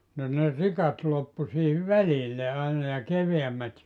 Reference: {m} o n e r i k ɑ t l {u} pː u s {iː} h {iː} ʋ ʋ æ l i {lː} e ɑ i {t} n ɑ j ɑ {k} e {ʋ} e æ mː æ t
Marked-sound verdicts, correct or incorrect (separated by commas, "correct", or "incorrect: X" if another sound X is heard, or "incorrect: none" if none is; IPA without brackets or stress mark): incorrect: n, incorrect: o, correct, incorrect: i, correct, incorrect: none, correct, correct